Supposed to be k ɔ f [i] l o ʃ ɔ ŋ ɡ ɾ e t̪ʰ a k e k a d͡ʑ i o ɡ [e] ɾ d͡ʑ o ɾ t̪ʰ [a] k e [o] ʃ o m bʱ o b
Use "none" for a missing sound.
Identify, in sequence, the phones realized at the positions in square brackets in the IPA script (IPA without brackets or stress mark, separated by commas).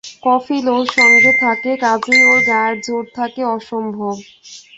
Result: i, a, a, ɔ